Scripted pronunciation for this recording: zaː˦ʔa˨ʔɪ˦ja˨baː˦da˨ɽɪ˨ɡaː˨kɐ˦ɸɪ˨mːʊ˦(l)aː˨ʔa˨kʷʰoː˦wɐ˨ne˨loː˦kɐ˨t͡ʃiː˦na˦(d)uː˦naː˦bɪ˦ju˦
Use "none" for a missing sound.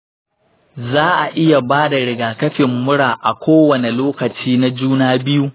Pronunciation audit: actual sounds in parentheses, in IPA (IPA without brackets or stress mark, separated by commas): ɽ, d͡ʒ